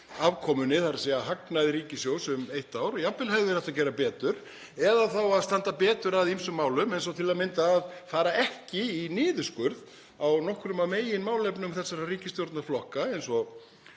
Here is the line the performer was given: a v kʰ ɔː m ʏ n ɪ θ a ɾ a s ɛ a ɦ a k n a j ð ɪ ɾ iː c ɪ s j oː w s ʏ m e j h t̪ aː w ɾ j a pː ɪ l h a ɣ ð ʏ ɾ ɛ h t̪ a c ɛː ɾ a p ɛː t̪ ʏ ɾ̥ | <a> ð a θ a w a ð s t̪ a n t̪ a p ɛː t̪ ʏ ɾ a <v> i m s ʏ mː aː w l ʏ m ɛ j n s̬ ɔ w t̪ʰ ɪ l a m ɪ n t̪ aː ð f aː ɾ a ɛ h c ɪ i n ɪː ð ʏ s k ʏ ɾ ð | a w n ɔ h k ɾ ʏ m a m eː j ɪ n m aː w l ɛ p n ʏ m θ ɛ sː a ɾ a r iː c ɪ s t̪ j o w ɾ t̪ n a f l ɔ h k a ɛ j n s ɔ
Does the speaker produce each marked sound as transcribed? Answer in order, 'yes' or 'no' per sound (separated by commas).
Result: no, no